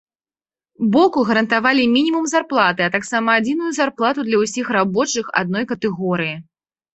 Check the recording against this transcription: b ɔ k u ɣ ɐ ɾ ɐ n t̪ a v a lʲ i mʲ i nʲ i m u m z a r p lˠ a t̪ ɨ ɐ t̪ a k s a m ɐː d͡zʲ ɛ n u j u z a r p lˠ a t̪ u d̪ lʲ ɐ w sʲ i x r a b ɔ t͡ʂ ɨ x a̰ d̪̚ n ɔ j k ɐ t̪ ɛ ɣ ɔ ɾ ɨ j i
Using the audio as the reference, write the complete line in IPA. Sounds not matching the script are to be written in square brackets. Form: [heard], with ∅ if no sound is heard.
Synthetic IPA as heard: b ɔ k u ɣ ɐ ɾ ɐ n t̪ a v a lʲ i mʲ i nʲ i m u m z a r p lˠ a t̪ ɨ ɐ t̪ a k s a m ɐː d͡zʲ [i] n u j u z a r p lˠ a t̪ u d̪ lʲ ɐ w sʲ i x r a b ɔ t͡ʂ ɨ x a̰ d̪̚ n ɔ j k ɐ t̪ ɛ ɣ ɔ ɾ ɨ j i